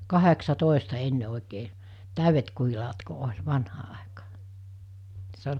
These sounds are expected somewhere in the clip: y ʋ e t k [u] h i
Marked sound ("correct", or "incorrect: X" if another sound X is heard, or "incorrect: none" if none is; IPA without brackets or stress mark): correct